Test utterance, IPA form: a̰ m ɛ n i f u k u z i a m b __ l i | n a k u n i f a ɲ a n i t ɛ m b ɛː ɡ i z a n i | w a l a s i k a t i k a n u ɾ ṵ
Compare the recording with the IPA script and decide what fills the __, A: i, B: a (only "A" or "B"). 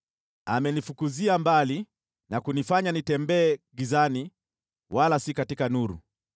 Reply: B